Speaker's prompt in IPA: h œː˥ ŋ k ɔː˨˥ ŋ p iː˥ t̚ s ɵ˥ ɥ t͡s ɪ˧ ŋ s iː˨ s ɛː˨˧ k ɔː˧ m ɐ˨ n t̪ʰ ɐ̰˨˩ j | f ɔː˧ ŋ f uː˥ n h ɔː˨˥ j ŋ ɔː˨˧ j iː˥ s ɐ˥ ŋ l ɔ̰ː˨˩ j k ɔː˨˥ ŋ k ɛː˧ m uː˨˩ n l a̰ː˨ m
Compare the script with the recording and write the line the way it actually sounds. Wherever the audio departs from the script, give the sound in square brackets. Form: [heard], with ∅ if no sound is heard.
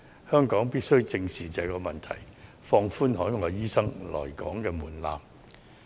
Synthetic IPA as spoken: h œː˥ ŋ k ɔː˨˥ ŋ p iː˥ t̚ s ɵ˥ ɥ t͡s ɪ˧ ŋ s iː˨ [t͡s] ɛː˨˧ k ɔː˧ m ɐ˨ n t̪ʰ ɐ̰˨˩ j | f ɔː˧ ŋ f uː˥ n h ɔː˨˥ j ŋ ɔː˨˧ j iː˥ s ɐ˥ ŋ l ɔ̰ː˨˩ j k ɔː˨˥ ŋ k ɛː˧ m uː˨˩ n l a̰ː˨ m

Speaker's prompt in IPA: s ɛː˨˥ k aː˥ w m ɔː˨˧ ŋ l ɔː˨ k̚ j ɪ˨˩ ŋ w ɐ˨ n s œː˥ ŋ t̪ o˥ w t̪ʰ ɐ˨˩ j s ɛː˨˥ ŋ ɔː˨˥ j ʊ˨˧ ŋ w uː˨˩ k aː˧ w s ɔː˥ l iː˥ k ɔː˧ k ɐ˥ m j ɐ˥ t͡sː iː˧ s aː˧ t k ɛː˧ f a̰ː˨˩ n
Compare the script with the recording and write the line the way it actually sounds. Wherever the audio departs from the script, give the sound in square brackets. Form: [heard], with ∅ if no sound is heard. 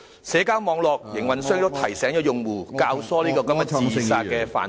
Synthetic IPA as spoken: s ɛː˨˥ k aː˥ w m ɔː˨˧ ŋ l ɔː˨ k̚ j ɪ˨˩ ŋ w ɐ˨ n s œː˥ ŋ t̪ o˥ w t̪ʰ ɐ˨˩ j s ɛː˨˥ ŋ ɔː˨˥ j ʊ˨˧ ŋ w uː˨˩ k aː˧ w s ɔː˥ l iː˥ k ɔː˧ k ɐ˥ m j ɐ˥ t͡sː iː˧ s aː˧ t k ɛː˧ f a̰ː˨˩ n

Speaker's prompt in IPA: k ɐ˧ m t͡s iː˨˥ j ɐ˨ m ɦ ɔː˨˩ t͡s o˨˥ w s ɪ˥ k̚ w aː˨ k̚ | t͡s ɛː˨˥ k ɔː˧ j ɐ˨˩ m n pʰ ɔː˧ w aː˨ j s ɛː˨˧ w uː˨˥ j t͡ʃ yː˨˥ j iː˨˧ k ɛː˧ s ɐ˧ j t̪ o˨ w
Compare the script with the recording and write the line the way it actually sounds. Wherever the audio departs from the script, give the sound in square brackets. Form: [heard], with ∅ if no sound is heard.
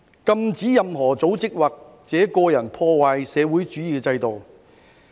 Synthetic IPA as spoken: k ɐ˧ m t͡s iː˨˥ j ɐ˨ m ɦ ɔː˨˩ t͡s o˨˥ w [t͡s] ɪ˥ k̚ w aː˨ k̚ | t͡s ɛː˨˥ k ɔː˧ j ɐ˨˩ [∅] n pʰ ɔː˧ w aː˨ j s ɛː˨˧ w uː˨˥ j t͡ʃ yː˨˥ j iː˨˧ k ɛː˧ [t͡s] ɐ˧ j t̪ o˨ w

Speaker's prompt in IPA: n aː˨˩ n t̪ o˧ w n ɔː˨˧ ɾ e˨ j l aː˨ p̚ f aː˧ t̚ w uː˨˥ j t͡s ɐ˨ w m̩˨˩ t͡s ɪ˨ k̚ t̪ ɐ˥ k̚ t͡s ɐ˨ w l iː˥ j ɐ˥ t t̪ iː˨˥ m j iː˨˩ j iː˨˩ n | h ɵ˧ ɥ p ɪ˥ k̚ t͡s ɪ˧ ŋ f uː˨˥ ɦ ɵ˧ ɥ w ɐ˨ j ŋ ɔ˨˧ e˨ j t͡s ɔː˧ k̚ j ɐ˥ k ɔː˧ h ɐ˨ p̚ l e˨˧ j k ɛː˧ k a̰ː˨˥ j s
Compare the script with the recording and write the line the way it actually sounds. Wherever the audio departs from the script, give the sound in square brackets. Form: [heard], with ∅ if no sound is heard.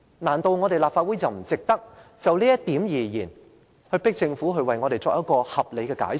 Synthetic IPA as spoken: n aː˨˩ n t̪ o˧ w [ŋ] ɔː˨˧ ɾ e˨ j l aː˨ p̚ f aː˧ t̚ w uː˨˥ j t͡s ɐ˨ w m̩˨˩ t͡s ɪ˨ k̚ t̪ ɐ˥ k̚ t͡s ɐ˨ w l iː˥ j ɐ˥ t t̪ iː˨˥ m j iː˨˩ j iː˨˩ n | h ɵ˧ ɥ p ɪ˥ k̚ t͡s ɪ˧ ŋ f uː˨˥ ɦ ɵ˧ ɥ w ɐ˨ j ŋ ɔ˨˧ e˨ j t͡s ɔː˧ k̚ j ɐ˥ k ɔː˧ h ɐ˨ p̚ l e˨˧ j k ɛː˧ k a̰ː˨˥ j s

